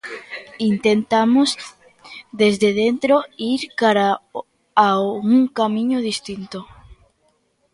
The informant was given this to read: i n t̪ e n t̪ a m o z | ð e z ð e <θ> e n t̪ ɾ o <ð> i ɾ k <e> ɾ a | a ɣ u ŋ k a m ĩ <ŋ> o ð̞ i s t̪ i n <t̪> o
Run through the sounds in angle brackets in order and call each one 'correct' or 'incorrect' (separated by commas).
incorrect, incorrect, incorrect, incorrect, correct